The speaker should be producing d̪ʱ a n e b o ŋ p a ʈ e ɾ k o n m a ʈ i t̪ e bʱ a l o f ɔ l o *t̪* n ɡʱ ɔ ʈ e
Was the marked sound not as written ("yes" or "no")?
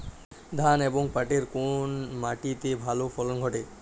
yes